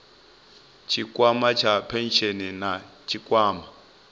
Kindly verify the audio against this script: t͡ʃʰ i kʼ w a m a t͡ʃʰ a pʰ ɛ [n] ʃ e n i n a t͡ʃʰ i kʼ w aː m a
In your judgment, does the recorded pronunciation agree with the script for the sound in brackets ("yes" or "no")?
yes